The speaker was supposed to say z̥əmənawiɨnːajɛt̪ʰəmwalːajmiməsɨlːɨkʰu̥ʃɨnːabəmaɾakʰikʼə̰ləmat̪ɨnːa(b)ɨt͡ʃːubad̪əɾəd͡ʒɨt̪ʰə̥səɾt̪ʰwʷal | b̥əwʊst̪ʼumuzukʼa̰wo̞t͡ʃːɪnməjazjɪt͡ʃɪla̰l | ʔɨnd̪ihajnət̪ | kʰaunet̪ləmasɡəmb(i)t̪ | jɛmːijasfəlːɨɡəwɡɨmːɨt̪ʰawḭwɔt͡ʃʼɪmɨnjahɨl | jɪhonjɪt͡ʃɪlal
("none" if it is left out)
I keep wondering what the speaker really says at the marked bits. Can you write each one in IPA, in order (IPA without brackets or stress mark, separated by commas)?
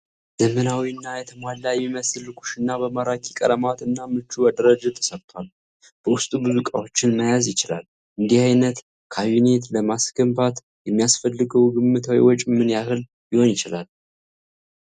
m, a